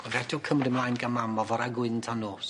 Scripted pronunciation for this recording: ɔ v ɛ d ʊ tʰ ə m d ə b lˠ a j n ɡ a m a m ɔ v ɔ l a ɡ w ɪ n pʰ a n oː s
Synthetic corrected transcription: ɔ v ɛ d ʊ kʰ ə m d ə m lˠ a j n ɡ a m a m ɔ v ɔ ɾ a ɡ w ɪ n tʰ a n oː s